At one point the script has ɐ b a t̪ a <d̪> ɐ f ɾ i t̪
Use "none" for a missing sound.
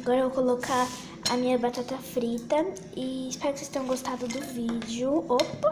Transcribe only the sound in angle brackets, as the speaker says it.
t̪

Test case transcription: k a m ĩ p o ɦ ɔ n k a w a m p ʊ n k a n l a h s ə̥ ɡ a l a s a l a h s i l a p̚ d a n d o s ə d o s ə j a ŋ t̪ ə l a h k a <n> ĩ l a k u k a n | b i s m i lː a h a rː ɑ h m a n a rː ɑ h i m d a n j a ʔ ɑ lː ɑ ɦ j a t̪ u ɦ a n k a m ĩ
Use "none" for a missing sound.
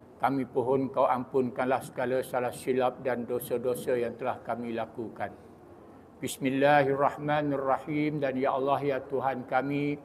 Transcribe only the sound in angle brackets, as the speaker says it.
m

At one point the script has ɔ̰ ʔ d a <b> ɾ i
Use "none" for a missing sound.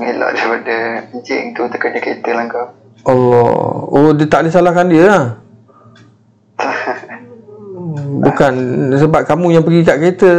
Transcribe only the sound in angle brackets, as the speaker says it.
none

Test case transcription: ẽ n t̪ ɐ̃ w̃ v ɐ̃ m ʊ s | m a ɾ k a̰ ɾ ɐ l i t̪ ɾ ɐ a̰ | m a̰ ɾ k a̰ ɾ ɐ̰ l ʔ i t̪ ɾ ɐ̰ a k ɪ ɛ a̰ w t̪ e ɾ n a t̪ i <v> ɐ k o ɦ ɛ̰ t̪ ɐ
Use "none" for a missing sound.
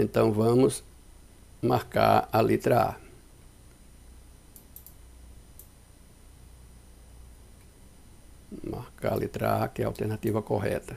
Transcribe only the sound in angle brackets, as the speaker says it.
v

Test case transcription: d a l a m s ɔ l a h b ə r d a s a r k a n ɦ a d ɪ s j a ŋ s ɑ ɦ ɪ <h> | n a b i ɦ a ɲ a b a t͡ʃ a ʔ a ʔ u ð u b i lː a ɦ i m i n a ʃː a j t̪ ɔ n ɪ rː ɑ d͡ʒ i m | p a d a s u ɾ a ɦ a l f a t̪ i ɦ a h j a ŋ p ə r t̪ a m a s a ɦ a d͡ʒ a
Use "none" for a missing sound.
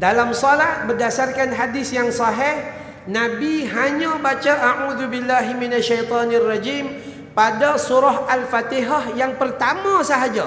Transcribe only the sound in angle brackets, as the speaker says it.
h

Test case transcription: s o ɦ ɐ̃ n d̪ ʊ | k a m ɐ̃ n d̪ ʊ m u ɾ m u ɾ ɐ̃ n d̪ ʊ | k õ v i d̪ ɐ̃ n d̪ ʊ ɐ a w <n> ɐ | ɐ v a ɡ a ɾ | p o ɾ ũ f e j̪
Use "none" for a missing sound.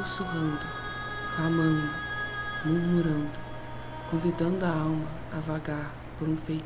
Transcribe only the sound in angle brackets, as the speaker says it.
m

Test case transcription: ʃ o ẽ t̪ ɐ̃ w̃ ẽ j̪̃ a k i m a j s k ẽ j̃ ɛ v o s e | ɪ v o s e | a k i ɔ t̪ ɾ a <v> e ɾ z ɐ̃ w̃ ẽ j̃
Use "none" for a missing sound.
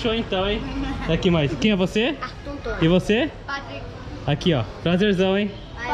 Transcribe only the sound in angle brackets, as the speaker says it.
z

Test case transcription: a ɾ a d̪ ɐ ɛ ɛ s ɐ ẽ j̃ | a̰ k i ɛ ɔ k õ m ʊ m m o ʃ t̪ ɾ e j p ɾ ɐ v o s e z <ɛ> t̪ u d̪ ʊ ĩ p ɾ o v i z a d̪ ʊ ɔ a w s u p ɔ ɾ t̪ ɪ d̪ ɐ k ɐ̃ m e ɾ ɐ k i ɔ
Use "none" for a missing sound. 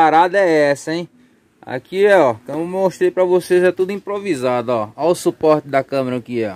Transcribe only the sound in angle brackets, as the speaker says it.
ɛ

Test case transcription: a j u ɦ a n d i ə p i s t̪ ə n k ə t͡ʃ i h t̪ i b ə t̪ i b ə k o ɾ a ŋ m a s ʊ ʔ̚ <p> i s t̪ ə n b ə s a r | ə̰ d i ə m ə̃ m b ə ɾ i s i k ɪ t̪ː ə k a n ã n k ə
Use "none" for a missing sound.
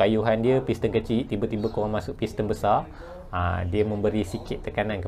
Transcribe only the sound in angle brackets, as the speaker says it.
p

